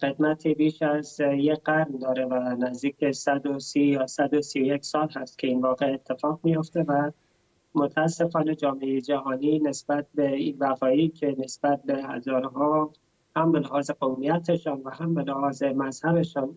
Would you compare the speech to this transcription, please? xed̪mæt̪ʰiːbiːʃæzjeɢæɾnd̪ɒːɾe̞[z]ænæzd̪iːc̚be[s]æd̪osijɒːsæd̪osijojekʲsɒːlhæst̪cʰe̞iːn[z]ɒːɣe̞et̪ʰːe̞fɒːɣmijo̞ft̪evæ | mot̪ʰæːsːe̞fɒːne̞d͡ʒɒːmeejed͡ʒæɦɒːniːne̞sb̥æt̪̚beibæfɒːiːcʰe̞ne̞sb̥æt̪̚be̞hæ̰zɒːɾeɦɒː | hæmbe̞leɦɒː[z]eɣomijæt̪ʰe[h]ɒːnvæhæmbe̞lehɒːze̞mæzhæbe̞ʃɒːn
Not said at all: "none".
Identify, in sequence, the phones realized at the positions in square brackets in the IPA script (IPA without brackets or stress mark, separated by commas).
v, s, v, z, ʃ